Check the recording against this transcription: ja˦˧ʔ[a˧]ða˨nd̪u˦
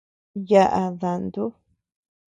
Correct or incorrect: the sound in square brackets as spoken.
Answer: correct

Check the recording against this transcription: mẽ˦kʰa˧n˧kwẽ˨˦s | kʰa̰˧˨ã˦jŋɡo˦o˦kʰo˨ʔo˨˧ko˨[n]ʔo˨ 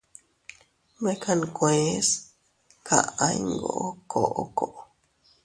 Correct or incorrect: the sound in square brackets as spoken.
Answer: incorrect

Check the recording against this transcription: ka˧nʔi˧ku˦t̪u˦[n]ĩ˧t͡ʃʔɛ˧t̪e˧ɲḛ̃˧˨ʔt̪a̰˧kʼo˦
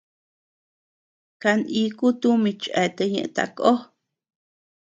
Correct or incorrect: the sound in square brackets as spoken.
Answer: incorrect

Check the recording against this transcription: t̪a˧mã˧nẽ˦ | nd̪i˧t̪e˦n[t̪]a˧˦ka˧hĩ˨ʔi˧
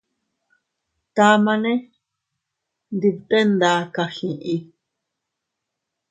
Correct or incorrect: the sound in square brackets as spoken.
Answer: incorrect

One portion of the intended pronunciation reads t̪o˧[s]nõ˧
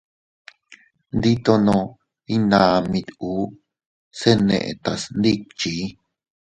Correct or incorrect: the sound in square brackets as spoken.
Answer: incorrect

